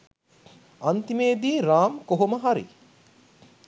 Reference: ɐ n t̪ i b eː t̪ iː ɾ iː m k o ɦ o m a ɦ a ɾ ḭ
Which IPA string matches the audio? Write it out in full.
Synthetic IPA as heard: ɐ n t̪ i m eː d̪ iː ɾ aː m k o ɦ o m ə ɦ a ɾ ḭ